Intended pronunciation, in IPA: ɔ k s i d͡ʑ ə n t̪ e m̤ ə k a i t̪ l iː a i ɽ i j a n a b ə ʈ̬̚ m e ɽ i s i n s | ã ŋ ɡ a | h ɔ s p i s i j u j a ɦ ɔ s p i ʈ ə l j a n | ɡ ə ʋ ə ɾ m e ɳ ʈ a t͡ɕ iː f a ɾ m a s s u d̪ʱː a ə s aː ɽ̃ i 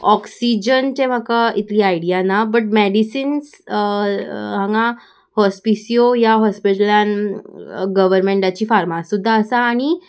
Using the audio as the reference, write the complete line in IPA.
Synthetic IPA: ɔ k s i d͡ʑ ə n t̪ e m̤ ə k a i t̪ l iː a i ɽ i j a n a b ə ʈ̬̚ m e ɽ i s i n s | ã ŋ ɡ a | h ɔ s p i s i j o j a ɦ ɔ s p i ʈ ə l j a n | ɡ ə ʋ ə ɾ m e ɳ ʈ a t͡ɕ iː f a ɾ m a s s u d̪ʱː a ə s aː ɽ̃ i

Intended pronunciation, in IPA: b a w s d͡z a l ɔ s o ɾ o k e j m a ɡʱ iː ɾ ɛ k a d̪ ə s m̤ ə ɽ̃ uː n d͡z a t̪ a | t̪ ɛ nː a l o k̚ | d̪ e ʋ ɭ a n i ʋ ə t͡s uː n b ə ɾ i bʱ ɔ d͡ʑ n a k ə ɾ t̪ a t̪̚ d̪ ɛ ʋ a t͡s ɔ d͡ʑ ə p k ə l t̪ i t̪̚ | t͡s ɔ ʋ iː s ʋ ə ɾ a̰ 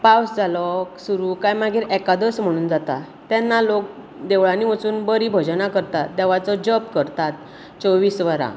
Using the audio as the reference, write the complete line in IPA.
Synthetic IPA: p a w s d͡z a l ɔ s u ɾ u k a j m a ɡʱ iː ɾ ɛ k a d̪ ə s m̤ ə ɽ̃ uː n d͡z a t̪ a | t̪ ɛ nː a l o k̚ | d̪ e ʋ ɭ a n i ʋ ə t͡s uː n b ə ɾ i bʱ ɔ d͡ʑ n a k ə ɾ t̪ a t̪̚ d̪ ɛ ʋ a t͡s ɔ d͡ʑ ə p k ə ɾ t̪ a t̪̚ | t͡s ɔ ʋ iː s ʋ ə ɾ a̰

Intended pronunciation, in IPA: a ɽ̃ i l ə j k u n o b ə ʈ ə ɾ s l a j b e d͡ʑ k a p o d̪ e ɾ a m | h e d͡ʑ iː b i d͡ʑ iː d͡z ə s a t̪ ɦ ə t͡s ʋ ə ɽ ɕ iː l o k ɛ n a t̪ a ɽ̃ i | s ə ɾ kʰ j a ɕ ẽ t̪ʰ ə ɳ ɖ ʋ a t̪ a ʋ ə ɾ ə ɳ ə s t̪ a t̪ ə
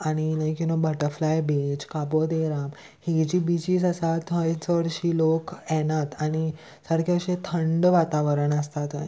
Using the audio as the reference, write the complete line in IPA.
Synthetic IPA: a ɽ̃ i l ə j k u n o b ə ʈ ə ɾ f l a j b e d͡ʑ k a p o d̪ e ɾ a m | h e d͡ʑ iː b i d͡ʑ iː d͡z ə s a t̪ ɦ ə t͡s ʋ ə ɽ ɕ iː l o k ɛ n a t̪ a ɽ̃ i | s ə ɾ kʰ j a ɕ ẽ t̪ʰ ə ɳ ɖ ʋ a t̪ a ʋ ə ɾ ə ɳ ə s t̪ a t̪ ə

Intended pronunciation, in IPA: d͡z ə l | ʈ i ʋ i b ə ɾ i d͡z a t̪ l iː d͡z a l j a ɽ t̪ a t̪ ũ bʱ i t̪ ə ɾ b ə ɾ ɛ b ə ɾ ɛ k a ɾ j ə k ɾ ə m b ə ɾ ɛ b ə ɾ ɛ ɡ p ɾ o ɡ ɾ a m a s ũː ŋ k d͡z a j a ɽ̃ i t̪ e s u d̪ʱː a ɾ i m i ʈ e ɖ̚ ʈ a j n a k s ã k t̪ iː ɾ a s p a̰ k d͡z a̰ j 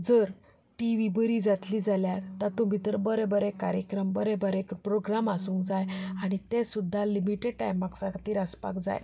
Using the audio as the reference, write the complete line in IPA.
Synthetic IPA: d͡z ə ɾ | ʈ i ʋ i b ə ɾ i d͡z a t̪ l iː d͡z a l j a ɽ t̪ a t̪ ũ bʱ i t̪ ə ɾ b ə ɾ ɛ b ə ɾ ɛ k a ɾ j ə k ɾ ə m b ə ɾ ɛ b ə ɾ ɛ k p ɾ o ɡ ɾ a m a s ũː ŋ k d͡z a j a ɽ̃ i t̪ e s u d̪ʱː a l i m i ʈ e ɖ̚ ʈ a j m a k s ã k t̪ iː ɾ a s p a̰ k d͡z a̰ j

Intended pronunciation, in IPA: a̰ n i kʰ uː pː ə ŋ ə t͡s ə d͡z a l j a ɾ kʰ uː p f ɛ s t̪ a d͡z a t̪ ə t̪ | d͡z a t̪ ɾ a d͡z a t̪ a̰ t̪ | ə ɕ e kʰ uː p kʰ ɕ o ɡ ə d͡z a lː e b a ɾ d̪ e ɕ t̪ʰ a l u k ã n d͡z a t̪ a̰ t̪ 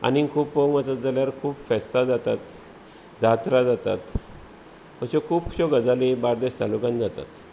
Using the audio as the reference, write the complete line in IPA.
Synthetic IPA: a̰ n i kʰ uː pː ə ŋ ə t͡s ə d͡z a l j a ɾ kʰ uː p f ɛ s t̪ a d͡z a t̪ a t̪ | d͡z a t̪ ɾ a d͡z a t̪ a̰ t̪ | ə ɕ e kʰ uː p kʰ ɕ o ɡ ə d͡z a l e b a ɾ d̪ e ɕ t̪ a l u k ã n d͡z a t̪ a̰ t̪

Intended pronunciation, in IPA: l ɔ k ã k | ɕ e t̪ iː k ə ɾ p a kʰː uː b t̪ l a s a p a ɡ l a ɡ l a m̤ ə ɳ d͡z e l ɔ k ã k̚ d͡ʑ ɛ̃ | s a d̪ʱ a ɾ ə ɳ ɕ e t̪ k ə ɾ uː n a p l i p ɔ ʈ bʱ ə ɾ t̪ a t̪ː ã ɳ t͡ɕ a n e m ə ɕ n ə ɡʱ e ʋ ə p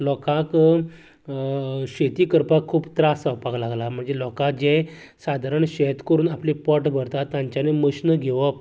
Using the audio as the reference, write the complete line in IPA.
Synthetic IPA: l ɔ k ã k | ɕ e t̪ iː k ə ɾ p a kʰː uː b t̪ ɾ a s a p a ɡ l a ɡ l a m̤ ə ɳ d͡z e l ɔ k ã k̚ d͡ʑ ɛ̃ | s a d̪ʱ a ɾ ə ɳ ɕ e t̪ k ə ɾ uː n a p l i p ɔ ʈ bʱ ə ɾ t̪ a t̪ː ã ɲ t͡ɕ a n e m ə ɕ n ə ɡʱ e ʋ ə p

